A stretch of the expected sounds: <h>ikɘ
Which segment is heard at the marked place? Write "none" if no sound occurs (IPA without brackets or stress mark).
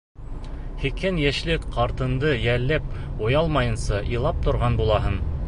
h